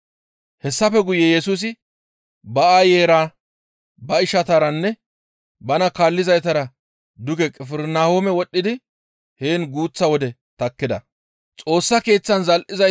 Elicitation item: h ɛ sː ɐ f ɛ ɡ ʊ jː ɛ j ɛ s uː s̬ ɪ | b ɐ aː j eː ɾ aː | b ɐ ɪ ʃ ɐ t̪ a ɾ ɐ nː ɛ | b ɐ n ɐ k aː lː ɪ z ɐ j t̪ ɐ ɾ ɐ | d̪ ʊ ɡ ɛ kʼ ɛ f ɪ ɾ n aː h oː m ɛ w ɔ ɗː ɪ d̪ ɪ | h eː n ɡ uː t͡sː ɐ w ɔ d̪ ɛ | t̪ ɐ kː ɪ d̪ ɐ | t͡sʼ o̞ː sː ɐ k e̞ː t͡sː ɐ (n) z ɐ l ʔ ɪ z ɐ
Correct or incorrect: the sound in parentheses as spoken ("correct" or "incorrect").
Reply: correct